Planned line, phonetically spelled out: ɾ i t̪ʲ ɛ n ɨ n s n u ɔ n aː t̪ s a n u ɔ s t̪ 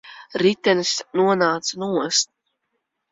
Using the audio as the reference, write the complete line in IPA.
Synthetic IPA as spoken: ɾ i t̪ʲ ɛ n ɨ s n u ɔ n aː t̪ s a n u ɔ s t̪